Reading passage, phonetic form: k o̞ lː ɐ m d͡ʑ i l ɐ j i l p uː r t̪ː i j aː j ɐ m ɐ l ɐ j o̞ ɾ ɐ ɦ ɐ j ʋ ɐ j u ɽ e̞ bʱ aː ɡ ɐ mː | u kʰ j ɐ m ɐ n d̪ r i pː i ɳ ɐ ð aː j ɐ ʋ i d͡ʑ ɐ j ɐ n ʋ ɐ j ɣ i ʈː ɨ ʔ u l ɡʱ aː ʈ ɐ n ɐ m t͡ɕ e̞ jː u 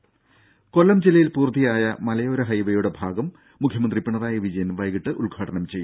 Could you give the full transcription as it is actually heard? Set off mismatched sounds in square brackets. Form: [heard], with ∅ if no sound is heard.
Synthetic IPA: k o̞ lː ɐ m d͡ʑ i l ɐ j i l p uː r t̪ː i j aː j ɐ m ɐ l ɐ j o̞ ɾ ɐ ɦ ɐ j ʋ ɐ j u ɽ e̞ bʱ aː ɡ ɐ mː | u kʰ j ɐ m ɐ n d̪ r i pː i ɳ ɐ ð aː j ɐ ʋ i d͡ʑ ɐ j ɐ n ʋ ɐ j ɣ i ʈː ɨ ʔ u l ɡʱ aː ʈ ɐ n ɐ m t͡ɕ e̞ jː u